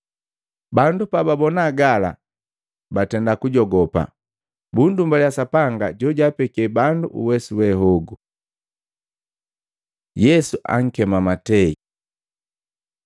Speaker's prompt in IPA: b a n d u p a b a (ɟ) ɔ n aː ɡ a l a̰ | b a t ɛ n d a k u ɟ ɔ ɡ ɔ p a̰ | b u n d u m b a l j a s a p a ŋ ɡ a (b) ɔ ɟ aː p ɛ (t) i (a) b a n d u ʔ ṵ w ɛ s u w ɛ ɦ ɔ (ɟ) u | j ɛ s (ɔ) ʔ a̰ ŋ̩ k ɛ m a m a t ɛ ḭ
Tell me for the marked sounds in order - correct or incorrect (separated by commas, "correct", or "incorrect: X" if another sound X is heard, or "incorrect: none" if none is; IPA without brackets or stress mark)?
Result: incorrect: b, incorrect: ɟ, incorrect: k, incorrect: ɛ, incorrect: ɡ, incorrect: u